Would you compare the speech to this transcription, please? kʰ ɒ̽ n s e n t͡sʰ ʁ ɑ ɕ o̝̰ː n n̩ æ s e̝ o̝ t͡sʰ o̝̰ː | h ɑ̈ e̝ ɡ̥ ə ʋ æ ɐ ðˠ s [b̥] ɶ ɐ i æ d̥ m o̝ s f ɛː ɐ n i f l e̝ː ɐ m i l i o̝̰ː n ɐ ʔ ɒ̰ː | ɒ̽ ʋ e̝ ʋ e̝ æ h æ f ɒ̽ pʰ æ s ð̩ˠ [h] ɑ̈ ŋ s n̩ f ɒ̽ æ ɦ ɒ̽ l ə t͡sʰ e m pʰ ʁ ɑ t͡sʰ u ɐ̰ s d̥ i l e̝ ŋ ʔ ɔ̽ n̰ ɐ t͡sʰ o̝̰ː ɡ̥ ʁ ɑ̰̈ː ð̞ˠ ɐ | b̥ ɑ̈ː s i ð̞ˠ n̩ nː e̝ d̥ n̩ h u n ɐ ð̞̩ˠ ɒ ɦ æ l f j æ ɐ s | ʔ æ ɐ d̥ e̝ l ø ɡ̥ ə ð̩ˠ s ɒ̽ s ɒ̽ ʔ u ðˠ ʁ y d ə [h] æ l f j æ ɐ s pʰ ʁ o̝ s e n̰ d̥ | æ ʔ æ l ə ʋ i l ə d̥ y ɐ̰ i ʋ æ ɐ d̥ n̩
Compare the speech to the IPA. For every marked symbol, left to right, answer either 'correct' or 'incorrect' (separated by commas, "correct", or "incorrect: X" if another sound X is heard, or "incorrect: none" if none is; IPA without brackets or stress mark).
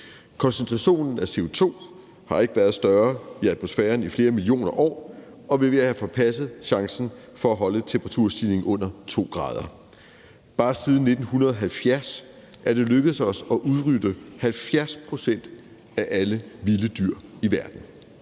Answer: incorrect: d̥, incorrect: ɕ, correct